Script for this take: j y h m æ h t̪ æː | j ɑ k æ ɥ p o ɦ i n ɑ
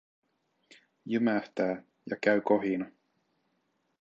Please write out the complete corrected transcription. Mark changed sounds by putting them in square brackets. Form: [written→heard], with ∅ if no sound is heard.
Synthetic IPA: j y [h→∅] m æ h t̪ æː | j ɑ k æ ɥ [p→k] o ɦ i n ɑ